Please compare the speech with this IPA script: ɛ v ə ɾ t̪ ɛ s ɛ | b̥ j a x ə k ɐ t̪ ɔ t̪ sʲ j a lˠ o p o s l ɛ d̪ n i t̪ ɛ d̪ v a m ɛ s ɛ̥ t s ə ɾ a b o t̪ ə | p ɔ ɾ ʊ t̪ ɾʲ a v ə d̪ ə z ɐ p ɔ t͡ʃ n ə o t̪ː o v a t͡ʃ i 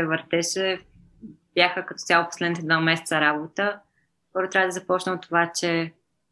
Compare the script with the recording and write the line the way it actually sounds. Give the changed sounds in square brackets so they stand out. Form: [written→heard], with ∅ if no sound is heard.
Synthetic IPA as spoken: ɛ v ə ɾ t̪ ɛ [s→ʃ] ɛ | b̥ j a x ə k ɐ t̪ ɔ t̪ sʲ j a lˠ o p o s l ɛ d̪ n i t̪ ɛ d̪ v a m ɛ s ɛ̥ t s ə ɾ a b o t̪ ə | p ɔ ɾ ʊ t̪ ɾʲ a v ə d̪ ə z ɐ p ɔ t͡ʃ n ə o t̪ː o v a t͡ʃ [i→ɛ]